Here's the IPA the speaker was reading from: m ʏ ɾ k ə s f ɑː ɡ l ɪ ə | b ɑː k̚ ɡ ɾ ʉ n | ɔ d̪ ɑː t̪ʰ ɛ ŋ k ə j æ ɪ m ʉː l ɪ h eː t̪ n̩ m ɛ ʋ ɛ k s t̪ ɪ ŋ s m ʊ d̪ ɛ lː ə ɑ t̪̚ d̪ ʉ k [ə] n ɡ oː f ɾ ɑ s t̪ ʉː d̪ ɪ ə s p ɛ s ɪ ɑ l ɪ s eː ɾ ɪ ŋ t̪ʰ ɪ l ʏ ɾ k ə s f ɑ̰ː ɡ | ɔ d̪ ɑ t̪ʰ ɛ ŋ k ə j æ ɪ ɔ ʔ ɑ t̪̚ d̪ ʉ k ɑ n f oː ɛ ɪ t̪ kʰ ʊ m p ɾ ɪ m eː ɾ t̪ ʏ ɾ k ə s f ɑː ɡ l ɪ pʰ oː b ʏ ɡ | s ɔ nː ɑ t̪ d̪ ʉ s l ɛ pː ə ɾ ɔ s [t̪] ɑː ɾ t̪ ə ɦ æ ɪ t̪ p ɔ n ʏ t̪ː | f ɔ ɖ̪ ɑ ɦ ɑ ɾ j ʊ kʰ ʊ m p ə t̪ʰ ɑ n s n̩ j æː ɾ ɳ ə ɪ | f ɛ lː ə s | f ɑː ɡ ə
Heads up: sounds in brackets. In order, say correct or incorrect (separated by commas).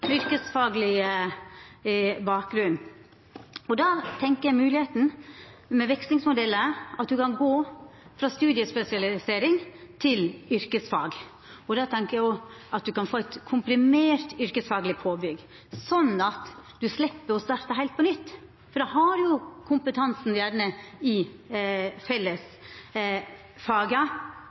incorrect, correct